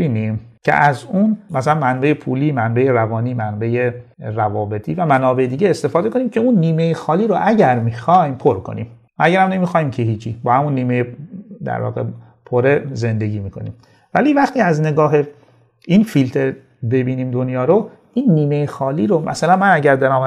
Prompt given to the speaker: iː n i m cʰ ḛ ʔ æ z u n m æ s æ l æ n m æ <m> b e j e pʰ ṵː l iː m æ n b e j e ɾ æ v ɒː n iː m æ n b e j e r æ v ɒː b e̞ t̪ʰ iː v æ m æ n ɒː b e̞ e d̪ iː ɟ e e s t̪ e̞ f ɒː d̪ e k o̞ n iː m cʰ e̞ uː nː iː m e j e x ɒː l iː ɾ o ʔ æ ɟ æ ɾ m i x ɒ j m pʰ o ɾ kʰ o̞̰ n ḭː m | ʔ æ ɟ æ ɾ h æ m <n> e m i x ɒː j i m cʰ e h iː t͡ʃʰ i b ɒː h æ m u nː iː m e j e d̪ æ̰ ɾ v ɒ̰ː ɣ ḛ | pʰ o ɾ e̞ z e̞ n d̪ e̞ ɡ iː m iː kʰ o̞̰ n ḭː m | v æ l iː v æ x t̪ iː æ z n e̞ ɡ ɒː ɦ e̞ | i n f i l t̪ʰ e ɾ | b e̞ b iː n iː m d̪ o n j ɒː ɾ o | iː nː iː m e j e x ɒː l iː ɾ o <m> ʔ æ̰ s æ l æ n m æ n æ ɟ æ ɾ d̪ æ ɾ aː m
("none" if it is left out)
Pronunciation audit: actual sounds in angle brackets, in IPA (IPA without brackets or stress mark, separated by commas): n, n, m